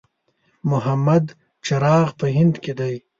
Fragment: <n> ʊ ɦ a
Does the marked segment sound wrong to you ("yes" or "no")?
yes